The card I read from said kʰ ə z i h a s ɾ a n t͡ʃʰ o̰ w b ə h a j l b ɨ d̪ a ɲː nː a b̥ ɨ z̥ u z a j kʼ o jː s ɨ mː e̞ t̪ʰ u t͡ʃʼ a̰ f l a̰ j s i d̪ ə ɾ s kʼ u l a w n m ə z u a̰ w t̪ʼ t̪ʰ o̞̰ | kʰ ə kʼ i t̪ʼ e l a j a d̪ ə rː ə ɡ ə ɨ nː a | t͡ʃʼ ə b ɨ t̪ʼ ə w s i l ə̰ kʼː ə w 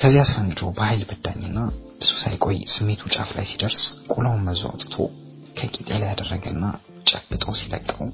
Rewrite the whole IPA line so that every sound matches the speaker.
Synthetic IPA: kʰ ə z i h a s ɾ a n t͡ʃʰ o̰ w b ə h a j l b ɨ d̪ a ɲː nː a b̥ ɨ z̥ u s a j kʼ o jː s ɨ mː e̞ t̪ʰ u t͡ʃʼ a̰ f l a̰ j s i d̪ ə ɾ s kʼ u l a w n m ə z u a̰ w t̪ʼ t̪ʰ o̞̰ | kʰ ə kʼ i t̪ʼ e l a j a d̪ ə rː ə ɡ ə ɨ nː a | t͡ʃʼ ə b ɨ t̪ʼ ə w s i l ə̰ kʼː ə w